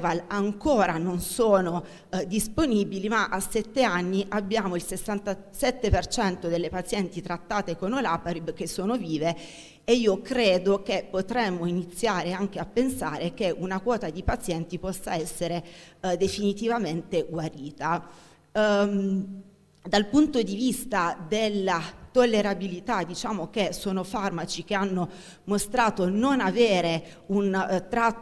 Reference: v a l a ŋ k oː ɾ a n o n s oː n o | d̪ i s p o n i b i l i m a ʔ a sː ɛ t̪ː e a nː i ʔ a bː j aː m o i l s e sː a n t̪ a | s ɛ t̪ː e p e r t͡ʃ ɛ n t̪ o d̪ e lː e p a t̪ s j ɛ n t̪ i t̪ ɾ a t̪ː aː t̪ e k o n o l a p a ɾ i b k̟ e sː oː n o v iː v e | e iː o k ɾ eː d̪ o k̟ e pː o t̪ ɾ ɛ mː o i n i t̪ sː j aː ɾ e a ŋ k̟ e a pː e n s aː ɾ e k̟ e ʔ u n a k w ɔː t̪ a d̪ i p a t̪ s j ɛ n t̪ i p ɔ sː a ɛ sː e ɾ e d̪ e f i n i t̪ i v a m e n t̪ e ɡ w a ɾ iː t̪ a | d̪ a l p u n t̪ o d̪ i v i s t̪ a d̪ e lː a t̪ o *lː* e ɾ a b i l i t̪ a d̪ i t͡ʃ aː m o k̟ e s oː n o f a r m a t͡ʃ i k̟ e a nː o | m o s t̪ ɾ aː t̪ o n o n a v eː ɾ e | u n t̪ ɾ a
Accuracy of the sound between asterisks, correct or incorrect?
correct